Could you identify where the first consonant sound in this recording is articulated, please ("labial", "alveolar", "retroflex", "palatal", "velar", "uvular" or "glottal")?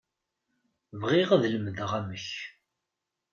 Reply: labial